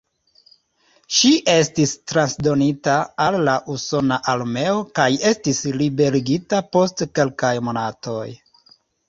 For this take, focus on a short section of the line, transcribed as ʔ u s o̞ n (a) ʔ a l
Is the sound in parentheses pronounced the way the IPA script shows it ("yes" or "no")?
yes